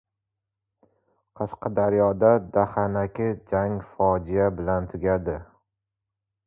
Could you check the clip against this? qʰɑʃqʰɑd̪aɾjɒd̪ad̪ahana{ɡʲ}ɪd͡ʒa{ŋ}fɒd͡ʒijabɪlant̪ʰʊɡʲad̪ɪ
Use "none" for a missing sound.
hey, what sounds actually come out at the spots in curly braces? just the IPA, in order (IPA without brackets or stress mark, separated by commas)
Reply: kʲ, ŋ